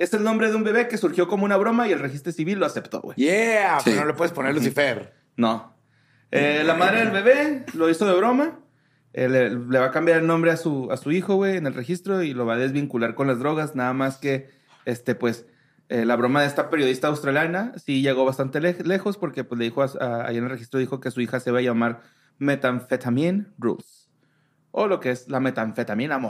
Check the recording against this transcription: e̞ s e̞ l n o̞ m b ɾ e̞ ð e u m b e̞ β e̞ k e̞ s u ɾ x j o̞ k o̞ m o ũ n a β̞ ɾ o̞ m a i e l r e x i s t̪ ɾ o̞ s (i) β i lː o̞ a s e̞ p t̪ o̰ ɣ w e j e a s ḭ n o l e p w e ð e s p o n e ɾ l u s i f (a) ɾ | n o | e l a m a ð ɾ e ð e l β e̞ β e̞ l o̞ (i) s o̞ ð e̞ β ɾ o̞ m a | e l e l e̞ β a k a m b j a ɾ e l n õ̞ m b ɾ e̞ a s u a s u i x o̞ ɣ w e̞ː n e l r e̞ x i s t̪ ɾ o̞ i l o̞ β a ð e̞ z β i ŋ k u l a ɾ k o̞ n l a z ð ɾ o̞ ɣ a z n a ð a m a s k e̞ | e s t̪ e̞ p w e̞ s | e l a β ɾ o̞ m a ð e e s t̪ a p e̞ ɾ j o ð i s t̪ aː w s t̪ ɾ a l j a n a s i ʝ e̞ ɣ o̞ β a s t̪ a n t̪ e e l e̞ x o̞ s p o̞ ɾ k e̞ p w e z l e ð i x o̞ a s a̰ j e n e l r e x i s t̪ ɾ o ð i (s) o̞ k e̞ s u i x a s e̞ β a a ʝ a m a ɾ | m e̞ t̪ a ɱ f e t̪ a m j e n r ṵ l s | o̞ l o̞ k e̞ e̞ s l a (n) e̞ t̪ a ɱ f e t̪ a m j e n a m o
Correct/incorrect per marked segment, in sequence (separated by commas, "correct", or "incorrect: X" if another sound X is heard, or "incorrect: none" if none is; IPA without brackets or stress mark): correct, incorrect: e, correct, incorrect: x, incorrect: m